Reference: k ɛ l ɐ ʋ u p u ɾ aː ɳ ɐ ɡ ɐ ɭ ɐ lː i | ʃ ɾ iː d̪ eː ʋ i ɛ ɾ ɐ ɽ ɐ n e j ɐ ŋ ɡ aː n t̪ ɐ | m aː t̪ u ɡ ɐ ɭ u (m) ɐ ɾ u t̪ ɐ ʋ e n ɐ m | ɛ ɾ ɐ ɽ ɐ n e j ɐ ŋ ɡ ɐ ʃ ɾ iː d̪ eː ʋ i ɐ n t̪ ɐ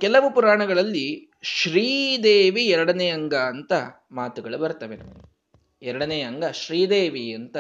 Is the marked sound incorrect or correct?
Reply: incorrect